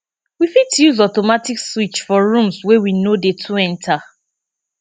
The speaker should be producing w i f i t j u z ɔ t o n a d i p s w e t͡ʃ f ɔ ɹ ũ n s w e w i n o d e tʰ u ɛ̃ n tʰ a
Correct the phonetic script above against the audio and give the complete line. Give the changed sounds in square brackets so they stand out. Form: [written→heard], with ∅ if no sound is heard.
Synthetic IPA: w i f i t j u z ɔ t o [n→m] a [d→t] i [p→k] s w [e→i] t͡ʃ f ɔ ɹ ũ [n→m] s w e w i n o d e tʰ u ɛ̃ n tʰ a